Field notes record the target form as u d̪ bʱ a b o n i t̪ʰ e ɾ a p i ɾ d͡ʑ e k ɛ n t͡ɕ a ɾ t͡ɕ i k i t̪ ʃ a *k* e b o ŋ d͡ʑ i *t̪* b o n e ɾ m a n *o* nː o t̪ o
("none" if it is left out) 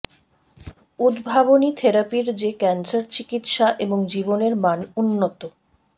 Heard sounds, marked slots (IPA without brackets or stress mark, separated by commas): ʔ, none, u